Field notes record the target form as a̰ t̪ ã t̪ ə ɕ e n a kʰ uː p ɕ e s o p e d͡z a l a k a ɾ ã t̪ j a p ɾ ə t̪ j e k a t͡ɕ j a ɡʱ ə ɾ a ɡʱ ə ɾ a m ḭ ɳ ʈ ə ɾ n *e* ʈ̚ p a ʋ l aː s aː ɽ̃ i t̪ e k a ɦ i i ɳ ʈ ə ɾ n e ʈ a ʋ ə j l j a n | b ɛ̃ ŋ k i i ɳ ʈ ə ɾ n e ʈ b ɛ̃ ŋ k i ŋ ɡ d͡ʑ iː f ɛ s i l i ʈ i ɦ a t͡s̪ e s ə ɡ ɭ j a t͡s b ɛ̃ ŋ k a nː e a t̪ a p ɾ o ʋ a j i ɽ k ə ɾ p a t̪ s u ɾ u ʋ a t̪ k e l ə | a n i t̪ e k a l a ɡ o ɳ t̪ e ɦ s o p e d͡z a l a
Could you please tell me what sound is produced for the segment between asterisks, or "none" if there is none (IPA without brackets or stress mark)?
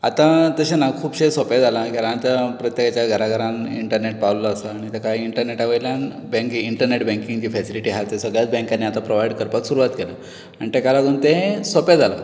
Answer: e